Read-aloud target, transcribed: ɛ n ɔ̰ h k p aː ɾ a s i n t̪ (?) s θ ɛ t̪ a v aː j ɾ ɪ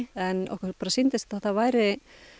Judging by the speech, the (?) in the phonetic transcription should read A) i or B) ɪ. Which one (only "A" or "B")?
B